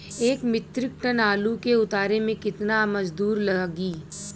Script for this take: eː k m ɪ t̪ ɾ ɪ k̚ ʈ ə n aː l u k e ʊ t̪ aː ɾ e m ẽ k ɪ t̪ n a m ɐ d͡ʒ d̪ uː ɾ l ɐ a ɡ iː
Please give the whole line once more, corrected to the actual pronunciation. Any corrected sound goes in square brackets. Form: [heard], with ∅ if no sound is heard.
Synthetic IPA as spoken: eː k m ɪ t̪ ɾ ɪ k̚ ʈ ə n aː l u k e ʊ t̪ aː ɾ e m ẽ k ɪ t̪ n a m ɐ d͡ʒ d̪ uː ɾ l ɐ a ɡ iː